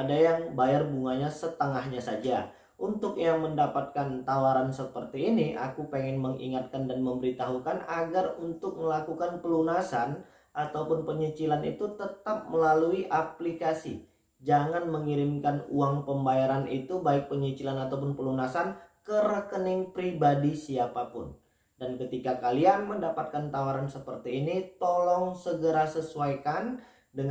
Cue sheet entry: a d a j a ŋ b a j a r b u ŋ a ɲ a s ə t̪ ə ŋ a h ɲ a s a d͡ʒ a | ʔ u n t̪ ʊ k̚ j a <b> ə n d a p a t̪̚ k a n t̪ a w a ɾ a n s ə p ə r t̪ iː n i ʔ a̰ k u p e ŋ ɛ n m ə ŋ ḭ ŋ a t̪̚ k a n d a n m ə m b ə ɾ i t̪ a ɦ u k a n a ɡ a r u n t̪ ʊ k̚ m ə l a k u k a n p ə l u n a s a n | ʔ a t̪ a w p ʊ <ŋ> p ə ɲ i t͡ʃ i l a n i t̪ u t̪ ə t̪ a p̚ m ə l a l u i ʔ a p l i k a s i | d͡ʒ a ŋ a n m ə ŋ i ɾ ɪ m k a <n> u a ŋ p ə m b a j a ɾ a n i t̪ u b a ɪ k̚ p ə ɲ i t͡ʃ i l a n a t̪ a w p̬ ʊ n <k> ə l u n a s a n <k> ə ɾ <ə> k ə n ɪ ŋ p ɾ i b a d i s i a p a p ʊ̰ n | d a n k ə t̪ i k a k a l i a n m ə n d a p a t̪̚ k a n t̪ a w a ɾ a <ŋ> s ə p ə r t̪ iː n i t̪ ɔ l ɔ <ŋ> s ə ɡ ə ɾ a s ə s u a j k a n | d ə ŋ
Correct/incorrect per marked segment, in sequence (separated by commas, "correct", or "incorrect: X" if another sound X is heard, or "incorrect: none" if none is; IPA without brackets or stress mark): incorrect: m, incorrect: n, correct, incorrect: p, correct, correct, incorrect: n, correct